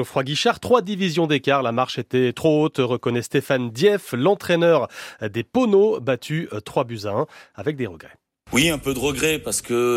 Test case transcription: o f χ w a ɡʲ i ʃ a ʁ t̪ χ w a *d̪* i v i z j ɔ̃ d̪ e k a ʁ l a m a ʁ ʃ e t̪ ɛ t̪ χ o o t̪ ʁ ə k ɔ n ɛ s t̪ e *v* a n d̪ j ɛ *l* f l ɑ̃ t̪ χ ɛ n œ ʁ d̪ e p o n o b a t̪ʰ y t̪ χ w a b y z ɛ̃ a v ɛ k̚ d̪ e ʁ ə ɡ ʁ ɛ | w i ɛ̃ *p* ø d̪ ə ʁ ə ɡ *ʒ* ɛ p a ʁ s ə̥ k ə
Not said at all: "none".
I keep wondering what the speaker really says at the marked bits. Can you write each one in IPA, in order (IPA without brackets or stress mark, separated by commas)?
d̪, f, none, p, ʁ